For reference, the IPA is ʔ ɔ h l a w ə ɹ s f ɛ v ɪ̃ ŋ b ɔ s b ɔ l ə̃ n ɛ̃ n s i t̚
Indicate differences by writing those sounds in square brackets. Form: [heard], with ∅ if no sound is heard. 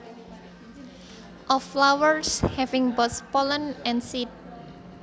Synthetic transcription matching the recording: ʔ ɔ [f] l a w ə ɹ s [h] ɛ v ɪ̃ ŋ b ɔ s [p] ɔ l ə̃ n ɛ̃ n s i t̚